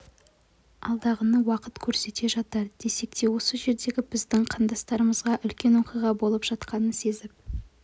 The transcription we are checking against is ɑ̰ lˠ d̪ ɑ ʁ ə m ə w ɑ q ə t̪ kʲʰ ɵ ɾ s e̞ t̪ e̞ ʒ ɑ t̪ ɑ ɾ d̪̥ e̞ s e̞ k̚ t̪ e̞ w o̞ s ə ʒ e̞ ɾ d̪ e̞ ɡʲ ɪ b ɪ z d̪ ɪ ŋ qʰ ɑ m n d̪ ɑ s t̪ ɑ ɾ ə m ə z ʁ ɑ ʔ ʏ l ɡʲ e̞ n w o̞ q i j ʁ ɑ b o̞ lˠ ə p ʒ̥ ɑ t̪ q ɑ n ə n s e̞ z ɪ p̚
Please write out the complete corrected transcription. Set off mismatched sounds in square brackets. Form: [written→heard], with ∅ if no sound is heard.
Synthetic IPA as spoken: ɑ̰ lˠ d̪ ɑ ʁ ə [m→n] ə w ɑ q ə t̪ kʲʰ ɵ ɾ s e̞ t̪ e̞ ʒ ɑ t̪ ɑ ɾ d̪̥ e̞ s e̞ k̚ t̪ e̞ w o̞ s ə ʒ e̞ ɾ d̪ e̞ ɡʲ ɪ b ɪ z d̪ ɪ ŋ qʰ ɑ [m→∅] n d̪ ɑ s t̪ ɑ ɾ ə m ə z ʁ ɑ ʔ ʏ l [ɡʲ→kʲ] e̞ n w o̞ q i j ʁ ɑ b o̞ lˠ ə p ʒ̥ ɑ t̪ q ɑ n ə n s e̞ z ɪ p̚